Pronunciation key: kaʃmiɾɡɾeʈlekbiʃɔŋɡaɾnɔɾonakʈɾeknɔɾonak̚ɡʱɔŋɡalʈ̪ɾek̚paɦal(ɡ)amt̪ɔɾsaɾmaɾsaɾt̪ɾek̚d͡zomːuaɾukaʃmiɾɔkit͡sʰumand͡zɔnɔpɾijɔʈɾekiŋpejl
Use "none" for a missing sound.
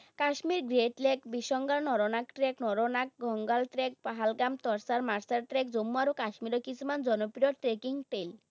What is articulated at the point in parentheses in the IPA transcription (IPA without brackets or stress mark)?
ɡ